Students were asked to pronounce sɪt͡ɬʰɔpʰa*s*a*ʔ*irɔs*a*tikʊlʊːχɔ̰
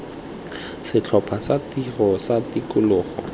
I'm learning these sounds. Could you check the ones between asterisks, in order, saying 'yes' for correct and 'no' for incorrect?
yes, no, yes

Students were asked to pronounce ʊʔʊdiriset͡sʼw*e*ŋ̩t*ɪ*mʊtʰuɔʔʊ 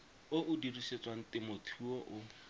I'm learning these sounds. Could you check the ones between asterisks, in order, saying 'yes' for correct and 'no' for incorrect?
no, yes

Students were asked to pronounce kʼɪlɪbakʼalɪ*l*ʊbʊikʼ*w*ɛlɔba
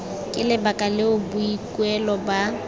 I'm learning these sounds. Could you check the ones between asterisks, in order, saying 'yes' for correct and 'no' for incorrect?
no, yes

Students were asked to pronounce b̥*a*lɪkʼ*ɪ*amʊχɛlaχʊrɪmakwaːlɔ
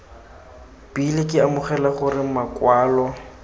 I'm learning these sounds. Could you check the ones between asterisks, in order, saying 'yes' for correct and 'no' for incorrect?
no, yes

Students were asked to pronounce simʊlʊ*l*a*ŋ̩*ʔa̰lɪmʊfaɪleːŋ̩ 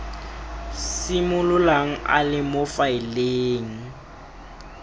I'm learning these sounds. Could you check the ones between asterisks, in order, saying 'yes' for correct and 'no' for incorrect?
yes, yes

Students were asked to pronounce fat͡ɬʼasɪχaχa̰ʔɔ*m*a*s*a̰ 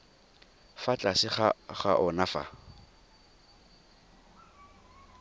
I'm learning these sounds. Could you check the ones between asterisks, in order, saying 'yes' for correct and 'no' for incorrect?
no, no

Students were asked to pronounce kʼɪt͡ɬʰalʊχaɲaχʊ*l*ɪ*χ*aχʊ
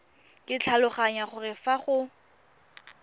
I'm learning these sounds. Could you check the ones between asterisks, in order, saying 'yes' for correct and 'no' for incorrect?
no, no

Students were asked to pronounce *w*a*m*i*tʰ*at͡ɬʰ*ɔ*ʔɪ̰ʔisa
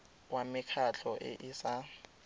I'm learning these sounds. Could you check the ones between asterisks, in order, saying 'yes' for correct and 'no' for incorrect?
yes, yes, no, yes

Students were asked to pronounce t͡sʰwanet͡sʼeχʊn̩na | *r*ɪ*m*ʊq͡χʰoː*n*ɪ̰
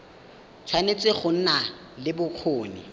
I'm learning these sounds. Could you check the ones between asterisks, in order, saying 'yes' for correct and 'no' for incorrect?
no, no, yes

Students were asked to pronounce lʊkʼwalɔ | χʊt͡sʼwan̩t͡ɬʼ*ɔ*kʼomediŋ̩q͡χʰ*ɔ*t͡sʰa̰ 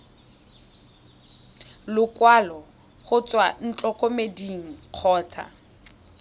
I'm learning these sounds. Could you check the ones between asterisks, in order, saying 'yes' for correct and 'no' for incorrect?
yes, no

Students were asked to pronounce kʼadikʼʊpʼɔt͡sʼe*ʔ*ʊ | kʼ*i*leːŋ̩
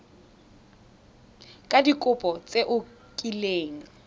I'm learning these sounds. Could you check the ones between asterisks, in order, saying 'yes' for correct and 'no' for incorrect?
yes, yes

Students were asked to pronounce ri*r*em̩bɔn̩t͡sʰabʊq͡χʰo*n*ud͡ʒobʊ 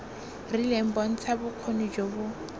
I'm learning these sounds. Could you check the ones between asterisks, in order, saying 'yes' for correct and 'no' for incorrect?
no, yes

